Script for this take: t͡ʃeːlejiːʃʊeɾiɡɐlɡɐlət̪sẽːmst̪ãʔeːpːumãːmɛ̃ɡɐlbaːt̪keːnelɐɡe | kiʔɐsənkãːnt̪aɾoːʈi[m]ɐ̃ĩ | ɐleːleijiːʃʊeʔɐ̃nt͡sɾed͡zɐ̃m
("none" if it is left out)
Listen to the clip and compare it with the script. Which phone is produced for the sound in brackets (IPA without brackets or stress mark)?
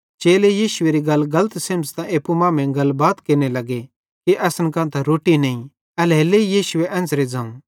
n